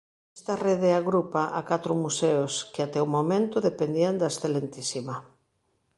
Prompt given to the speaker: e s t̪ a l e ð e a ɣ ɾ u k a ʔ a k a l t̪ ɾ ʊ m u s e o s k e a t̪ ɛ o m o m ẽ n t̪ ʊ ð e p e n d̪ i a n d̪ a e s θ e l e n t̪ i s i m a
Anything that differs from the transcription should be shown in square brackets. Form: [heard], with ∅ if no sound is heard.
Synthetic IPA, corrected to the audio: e s t̪ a [r] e ð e a ɣ ɾ u [p] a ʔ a k a [∅] t̪ ɾ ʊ m u s e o s k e a t̪ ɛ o m o m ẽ n t̪ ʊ ð e p e n d̪ i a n d̪ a e s θ e l e n t̪ i s i m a